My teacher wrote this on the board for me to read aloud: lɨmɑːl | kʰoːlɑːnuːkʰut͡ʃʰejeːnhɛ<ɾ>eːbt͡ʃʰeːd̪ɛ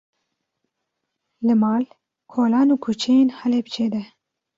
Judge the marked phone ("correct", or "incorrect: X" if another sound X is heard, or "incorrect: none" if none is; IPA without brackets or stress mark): incorrect: l